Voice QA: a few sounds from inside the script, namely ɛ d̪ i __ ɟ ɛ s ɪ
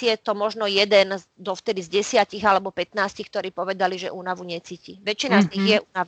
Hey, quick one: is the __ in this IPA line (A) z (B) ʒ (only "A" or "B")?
A